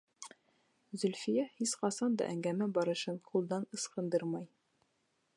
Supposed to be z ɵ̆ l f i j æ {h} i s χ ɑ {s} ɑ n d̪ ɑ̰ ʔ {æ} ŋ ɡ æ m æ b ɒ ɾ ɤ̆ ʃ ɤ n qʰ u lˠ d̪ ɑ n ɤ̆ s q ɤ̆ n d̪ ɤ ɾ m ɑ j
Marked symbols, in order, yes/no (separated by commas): yes, yes, yes